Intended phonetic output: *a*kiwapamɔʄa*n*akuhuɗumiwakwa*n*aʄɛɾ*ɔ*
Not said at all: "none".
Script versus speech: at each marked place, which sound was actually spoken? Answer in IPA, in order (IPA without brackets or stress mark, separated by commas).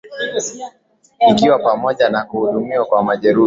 i, n, m, u